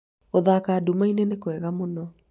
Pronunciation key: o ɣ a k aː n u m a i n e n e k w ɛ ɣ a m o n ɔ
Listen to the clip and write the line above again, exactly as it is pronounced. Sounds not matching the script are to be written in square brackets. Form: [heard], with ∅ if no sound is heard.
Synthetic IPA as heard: o [ð] a k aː [d] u m a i n e n e k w ɛ ɣ a m o n ɔ